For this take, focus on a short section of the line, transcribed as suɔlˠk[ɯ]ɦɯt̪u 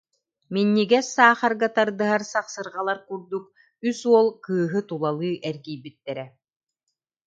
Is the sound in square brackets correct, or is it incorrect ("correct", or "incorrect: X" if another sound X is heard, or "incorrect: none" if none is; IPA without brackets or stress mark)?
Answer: incorrect: ɯː